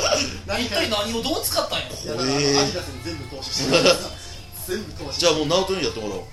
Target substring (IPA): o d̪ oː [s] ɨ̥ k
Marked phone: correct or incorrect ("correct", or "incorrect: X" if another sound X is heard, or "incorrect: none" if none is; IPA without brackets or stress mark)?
incorrect: t͡s